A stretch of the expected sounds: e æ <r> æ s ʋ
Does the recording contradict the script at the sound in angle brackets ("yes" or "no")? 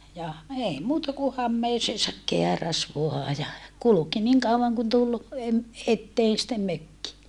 no